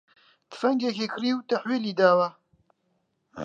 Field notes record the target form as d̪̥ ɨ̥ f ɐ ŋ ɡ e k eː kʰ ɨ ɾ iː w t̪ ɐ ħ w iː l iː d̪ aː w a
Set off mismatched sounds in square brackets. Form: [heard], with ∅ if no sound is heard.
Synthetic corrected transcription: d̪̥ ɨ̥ f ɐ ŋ ɡ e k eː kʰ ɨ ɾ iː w t̪ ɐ ħ w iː l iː d̪ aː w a